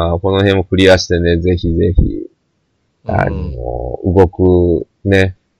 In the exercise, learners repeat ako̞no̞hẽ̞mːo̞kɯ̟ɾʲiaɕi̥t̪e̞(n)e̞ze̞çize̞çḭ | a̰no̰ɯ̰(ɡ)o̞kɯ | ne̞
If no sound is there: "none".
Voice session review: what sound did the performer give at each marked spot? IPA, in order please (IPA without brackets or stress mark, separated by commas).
n, ɡ